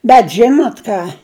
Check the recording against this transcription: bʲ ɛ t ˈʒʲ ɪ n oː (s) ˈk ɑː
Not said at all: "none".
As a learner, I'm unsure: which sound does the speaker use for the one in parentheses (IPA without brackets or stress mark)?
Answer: t